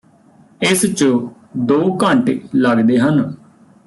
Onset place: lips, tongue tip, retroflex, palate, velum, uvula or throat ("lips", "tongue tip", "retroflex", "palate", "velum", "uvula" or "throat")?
tongue tip